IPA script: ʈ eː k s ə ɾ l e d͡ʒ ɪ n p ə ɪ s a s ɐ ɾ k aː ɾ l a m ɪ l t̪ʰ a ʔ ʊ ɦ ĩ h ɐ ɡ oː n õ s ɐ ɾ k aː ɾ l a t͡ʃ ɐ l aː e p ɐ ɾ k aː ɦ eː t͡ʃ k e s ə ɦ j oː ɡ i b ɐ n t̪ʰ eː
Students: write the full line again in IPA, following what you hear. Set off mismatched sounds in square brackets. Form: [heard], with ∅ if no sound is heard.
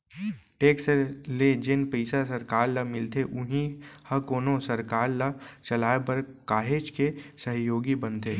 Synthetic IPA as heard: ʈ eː k s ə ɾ l e d͡ʒ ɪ n p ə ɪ s a s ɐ ɾ k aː ɾ l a m ɪ l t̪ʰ [e] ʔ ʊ ɦ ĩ h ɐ [k] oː n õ s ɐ ɾ k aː ɾ l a t͡ʃ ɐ l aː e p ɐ ɾ k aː ɦ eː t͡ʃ k e s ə ɦ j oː ɡ i b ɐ n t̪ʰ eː